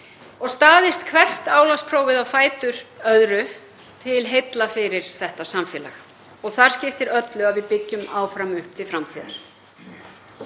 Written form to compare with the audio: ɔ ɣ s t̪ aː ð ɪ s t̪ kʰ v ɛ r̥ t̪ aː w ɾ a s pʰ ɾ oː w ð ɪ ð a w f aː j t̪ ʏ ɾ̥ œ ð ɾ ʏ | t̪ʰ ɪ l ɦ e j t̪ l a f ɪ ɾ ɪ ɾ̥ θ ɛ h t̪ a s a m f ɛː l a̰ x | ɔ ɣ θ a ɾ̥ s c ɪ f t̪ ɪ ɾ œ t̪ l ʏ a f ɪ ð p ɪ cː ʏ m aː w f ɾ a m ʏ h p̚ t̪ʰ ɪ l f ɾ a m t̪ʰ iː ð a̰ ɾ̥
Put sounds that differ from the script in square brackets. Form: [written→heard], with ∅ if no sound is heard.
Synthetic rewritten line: ɔ ɣ s t̪ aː ð ɪ s t̪ kʰ v ɛ r̥ t̪ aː w [ɾ→l] a s pʰ ɾ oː w [ð→v] ɪ ð a w f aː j t̪ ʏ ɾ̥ œ ð ɾ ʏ | t̪ʰ ɪ l ɦ e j t̪ l a f ɪ ɾ ɪ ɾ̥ θ ɛ h t̪ a s a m f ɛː l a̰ x | ɔ ɣ θ a ɾ̥ s c ɪ f t̪ ɪ ɾ œ t̪ l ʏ a [f→v] ɪ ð p ɪ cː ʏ m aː w f ɾ a m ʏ h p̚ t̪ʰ ɪ l f ɾ a m t̪ʰ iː ð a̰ ɾ̥

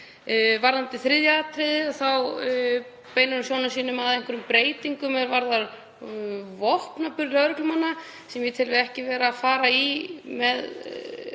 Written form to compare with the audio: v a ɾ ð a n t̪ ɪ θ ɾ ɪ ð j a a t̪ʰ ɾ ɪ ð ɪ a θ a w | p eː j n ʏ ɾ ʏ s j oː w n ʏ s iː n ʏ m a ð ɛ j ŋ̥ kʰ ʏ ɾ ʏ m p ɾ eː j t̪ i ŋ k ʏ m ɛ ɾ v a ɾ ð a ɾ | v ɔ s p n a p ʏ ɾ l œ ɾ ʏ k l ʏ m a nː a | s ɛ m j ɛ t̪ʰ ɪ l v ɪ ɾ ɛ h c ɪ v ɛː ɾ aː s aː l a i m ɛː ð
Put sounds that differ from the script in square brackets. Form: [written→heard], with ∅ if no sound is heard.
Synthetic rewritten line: v a ɾ ð a n t̪ ɪ θ ɾ ɪ ð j a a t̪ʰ ɾ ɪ ð ɪ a θ a w | p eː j n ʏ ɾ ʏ s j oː w n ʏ s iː n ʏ m a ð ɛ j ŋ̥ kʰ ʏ ɾ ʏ m p ɾ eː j t̪ i ŋ k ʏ m ɛ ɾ v a ɾ ð a ɾ | v ɔ [s→h] p n a p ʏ ɾ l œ ɾ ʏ k l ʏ m a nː a | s ɛ m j ɛ t̪ʰ ɪ l v ɪ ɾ ɛ h c ɪ v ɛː ɾ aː [s→f] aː [l→ɾ] a i m [ɛː→ɛ] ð

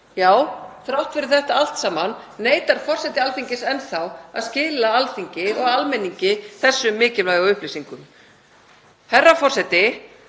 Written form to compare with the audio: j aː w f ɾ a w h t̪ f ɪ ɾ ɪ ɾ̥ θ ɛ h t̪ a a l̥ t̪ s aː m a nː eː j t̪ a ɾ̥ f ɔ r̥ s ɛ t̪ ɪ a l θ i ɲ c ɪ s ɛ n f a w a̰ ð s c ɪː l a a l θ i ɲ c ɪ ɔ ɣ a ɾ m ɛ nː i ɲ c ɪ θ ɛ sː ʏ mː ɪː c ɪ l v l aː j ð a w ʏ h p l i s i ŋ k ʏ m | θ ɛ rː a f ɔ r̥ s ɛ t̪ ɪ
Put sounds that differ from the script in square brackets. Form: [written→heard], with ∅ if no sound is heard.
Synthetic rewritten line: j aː w [f→θ] ɾ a w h t̪ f ɪ ɾ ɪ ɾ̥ θ ɛ h t̪ a a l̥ t̪ s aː m a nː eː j t̪ a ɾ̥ f ɔ r̥ s ɛ t̪ ɪ a l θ i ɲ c ɪ s ɛ n [f→θ] a w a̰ ð s c ɪː l a a l θ i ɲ c ɪ ɔ ɣ a [ɾ→l] m ɛ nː i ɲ c ɪ θ ɛ sː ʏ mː ɪː c ɪ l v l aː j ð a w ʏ h p l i s i ŋ k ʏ m | [θ→h] ɛ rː a f ɔ r̥ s ɛ t̪ ɪ

